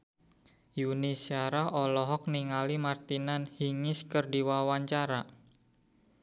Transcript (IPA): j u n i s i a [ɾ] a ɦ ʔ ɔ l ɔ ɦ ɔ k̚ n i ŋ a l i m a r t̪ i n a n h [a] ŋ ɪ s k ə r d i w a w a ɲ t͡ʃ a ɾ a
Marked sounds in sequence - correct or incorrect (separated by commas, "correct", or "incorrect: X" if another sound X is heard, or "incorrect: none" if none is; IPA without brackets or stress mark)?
correct, incorrect: i